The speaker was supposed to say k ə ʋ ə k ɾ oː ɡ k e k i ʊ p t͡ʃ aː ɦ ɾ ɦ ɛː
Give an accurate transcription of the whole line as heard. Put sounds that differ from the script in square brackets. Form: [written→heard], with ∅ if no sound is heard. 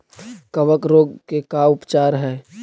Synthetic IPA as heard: k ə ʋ ə k ɾ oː ɡ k e k [i→a] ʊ p t͡ʃ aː [ɦ→∅] ɾ ɦ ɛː

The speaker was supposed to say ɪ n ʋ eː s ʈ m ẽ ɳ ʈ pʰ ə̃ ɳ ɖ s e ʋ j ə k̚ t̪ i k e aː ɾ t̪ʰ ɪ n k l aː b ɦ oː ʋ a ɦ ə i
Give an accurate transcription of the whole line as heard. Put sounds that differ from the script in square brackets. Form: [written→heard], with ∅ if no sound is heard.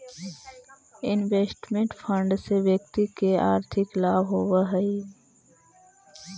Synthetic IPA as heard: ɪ n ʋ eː s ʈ m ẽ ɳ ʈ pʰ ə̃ ɳ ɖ s e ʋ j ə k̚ t̪ i k e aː ɾ t̪ʰ ɪ [n→∅] k l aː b ɦ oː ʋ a ɦ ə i

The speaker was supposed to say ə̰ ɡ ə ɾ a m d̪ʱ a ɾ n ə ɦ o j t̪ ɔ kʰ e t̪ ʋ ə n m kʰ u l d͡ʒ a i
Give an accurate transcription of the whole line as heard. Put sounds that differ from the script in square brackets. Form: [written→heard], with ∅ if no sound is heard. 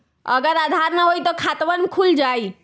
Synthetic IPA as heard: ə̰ ɡ ə ɾ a [m→∅] d̪ʱ a ɾ n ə ɦ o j t̪ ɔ kʰ [e→a] t̪ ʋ ə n m kʰ u l d͡ʒ a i

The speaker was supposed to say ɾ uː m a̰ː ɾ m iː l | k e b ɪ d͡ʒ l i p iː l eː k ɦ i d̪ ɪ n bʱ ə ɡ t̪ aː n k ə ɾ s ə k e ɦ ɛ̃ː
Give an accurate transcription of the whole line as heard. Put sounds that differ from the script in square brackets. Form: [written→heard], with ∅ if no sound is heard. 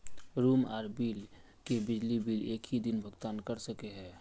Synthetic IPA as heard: ɾ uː m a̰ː ɾ [m→b] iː l | k e b ɪ d͡ʒ l i [p→b] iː l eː k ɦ i d̪ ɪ n bʱ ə ɡ t̪ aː n k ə ɾ s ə k e ɦ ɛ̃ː

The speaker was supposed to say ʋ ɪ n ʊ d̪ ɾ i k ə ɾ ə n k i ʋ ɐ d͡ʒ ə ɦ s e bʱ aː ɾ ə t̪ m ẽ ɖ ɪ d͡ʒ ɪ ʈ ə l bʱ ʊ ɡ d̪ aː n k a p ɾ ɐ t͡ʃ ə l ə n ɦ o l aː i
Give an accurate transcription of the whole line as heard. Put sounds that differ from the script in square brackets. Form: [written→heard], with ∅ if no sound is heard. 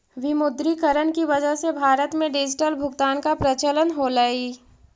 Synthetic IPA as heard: ʋ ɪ [n→m] ʊ d̪ ɾ i k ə ɾ ə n k i ʋ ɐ d͡ʒ ə ɦ s e bʱ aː ɾ ə t̪ m ẽ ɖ ɪ d͡ʒ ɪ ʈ ə l bʱ ʊ ɡ [d̪→t̪] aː n k a p ɾ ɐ t͡ʃ ə l ə n ɦ o l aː i

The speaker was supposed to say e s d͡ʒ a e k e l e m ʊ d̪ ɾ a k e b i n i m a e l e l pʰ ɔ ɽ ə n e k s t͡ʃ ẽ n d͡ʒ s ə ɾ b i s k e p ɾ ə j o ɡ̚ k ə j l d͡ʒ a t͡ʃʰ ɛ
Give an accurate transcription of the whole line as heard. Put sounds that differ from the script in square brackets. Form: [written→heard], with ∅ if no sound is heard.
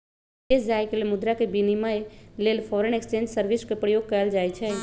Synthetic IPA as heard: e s d͡ʒ a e k e l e m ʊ d̪ ɾ a k e b i n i m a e l e l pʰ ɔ [ɽ→ɾ] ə n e k s t͡ʃ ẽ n d͡ʒ s ə ɾ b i s k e p ɾ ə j o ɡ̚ k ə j l d͡ʒ a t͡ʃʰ ɛ

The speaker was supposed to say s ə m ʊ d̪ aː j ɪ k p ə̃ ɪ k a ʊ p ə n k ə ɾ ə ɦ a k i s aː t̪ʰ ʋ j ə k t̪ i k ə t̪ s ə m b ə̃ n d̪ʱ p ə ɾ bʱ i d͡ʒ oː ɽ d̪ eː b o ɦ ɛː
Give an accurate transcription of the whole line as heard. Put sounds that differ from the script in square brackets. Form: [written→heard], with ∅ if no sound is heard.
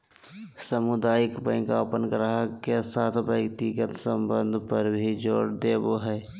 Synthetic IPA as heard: s ə m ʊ d̪ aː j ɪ k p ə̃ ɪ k a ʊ p ə n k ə ɾ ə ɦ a k [i→e] s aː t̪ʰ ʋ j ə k t̪ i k ə t̪ s ə m b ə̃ n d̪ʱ p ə ɾ bʱ i d͡ʒ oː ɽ d̪ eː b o ɦ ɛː

